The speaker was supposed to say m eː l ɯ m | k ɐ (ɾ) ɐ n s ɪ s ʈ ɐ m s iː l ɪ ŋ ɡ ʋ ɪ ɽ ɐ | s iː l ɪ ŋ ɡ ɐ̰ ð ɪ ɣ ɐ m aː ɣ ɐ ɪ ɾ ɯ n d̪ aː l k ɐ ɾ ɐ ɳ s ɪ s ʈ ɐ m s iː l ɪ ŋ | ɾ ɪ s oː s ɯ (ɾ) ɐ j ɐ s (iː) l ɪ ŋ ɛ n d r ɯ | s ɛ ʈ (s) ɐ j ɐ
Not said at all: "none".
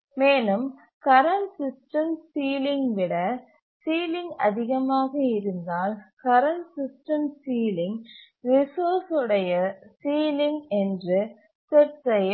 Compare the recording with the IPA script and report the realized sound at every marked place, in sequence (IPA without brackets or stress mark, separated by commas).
ɾ, ɽ, iː, s